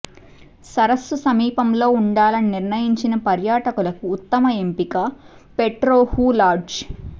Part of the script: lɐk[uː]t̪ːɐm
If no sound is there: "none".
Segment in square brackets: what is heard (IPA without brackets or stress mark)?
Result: uː